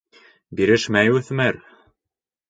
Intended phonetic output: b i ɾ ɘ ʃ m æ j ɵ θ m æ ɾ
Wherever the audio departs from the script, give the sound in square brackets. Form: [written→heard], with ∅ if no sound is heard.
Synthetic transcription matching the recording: b i ɾ ɘ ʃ m æ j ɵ θ m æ ɾ